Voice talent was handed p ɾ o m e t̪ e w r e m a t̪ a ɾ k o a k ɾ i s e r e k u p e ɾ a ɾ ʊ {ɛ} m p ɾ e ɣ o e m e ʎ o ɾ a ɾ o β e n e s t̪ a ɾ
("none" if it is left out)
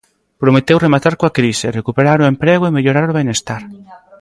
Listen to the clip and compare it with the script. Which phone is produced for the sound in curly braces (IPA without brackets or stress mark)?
e